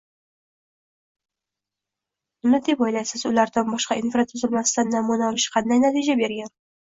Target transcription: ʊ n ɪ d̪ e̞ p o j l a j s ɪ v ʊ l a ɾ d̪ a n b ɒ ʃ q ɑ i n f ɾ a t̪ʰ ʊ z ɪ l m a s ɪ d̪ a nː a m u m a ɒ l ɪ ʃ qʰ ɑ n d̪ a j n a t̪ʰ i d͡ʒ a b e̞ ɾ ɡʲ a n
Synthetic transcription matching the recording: ʊ n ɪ d̪ e̞ p ɒ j l a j s ɪ z ʊ l a ɾ d̪ a n b ɒ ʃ q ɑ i n f ɾ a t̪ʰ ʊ z ɪ l m a s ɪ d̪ a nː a m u n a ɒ l ɪ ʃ qʰ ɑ n d̪ a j n a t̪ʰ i d͡ʒ a b e̞ ɾ ɡʲ a n